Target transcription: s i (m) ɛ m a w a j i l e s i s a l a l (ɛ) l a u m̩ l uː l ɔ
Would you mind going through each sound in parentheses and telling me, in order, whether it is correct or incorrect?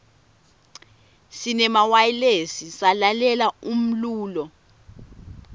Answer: incorrect, correct

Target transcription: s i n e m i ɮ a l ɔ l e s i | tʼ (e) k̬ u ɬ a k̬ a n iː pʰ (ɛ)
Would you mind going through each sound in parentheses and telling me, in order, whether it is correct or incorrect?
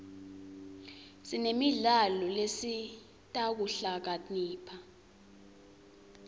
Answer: incorrect, incorrect

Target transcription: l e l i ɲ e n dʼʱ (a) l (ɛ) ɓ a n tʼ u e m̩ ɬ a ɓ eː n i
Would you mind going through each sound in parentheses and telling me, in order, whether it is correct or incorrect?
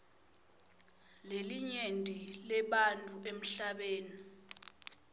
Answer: incorrect, correct

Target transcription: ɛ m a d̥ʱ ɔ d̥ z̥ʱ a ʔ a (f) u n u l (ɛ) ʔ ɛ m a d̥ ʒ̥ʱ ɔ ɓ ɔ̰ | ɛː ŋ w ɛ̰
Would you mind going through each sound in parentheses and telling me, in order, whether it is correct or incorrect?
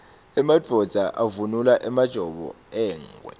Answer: incorrect, incorrect

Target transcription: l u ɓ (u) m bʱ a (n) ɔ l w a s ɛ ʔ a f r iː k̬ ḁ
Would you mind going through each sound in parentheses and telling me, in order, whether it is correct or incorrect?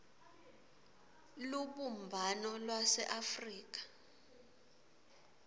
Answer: correct, correct

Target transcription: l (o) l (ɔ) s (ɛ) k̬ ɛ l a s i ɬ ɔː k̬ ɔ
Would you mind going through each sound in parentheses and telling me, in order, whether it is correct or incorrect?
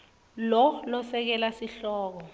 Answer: incorrect, correct, correct

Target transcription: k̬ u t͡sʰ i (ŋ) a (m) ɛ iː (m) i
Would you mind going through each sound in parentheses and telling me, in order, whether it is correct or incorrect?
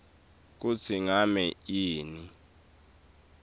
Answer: correct, correct, incorrect

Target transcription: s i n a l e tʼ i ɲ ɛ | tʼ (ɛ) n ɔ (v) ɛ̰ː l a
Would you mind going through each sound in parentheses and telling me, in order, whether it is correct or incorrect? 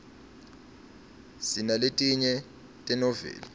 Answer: correct, correct

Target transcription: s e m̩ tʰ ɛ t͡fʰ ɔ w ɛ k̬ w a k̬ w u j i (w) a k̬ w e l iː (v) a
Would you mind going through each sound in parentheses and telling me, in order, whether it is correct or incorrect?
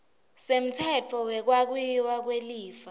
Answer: correct, incorrect

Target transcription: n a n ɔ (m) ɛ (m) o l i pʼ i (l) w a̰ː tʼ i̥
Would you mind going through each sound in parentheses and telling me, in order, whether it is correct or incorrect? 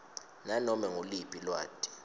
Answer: correct, incorrect, correct

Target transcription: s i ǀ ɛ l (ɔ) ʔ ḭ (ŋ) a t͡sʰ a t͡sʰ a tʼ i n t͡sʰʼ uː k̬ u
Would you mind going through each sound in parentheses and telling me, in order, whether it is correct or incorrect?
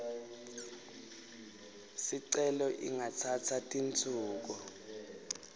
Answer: correct, correct

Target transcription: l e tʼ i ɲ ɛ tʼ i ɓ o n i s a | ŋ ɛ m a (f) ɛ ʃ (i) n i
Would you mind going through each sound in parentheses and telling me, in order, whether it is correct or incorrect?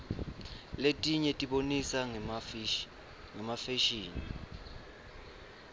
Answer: correct, incorrect

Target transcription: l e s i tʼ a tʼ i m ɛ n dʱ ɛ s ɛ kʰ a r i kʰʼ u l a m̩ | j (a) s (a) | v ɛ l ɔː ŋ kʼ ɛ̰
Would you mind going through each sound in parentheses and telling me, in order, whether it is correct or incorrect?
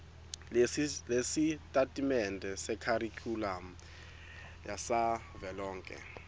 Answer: correct, correct

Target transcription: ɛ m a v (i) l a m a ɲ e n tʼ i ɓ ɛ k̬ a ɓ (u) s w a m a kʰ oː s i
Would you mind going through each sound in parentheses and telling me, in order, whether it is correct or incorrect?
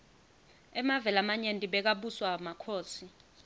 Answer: incorrect, correct

